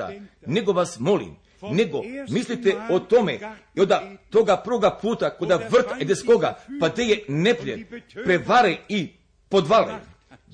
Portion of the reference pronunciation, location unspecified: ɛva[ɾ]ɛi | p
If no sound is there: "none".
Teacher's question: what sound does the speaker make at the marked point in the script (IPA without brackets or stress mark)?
ɾ